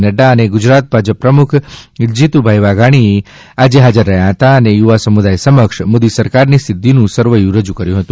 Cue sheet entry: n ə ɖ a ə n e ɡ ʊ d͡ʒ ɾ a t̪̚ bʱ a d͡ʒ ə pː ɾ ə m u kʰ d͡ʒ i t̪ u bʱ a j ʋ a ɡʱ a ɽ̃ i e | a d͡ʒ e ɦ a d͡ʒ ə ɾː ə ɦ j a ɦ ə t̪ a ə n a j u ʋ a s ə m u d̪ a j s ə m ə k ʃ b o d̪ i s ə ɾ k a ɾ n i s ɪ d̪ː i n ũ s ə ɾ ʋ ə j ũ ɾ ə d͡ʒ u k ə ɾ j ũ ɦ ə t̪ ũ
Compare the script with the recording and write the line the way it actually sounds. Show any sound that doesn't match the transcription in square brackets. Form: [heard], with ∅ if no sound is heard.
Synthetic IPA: n ə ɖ a ə n e ɡ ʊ d͡ʒ ɾ a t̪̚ bʱ a d͡ʒ ə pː ɾ ə m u kʰ d͡ʒ i t̪ u bʱ a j ʋ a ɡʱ a ɽ̃ i e | a d͡ʒ e ɦ a d͡ʒ ə ɾː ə ɦ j a ɦ ə t̪ a ə n [e] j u ʋ a s ə m u d̪ a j s ə m ə k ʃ [m] o d̪ i s ə ɾ k a ɾ n i s ɪ d̪ː i n ũ s ə ɾ ʋ ə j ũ ɾ ə d͡ʒ u k ə ɾ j ũ ɦ ə t̪ ũ